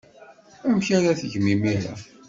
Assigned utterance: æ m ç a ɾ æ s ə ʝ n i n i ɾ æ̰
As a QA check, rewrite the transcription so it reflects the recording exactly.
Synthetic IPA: æ m ç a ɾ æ θ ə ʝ m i m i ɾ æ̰